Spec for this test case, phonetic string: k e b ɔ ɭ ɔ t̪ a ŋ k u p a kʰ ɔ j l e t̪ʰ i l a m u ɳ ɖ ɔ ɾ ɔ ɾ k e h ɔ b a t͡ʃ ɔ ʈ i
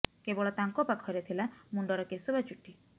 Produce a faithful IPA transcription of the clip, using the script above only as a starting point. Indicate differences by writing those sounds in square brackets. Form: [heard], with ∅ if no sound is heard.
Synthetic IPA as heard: k e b ɔ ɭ ɔ t̪ a ŋ k [ɔ] p a kʰ ɔ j [ɾ] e t̪ʰ i l a m u ɳ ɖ ɔ ɾ ɔ [∅] k e [s] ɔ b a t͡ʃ [u] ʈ i